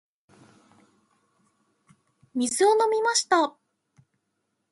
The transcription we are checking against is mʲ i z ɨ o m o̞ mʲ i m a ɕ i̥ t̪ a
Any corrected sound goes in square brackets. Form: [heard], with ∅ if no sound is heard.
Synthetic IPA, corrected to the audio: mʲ i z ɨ o [n] o̞ mʲ i m a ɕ i̥ t̪ a